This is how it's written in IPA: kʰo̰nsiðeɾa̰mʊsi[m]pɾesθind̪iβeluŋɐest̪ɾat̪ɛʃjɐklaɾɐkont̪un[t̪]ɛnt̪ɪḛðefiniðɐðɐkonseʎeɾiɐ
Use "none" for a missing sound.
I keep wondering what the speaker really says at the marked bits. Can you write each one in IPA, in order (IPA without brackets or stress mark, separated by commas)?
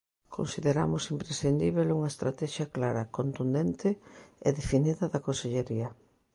m, d̪